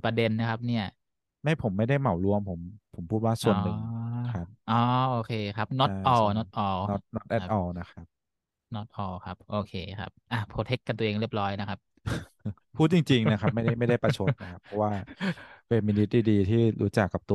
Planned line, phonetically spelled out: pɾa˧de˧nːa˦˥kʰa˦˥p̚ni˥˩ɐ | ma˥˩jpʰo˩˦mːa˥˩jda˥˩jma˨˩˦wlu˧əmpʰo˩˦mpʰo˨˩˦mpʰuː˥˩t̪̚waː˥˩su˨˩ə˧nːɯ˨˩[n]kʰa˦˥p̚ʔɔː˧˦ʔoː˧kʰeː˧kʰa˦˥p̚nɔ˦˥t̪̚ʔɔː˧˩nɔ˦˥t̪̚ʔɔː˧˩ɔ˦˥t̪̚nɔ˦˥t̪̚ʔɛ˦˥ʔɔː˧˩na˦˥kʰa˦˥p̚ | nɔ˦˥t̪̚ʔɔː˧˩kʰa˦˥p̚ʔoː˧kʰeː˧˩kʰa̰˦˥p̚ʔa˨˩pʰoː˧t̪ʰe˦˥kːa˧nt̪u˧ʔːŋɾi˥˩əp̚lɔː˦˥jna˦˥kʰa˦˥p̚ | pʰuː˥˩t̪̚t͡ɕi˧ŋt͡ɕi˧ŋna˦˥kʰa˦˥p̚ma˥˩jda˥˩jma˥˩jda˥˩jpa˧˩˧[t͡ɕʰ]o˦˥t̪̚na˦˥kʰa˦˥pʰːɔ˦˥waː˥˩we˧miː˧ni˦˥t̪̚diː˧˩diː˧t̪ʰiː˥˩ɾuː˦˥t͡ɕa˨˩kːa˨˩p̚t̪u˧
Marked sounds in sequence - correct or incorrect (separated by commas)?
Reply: incorrect, correct